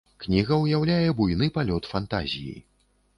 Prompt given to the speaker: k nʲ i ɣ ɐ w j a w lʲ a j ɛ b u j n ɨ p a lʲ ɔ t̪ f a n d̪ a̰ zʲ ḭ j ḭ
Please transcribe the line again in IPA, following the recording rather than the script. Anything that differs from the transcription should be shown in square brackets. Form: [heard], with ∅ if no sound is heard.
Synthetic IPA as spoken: k nʲ i ɣ ɐ w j a w lʲ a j ɛ b u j n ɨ p a lʲ ɔ t̪ f a n [t̪] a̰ zʲ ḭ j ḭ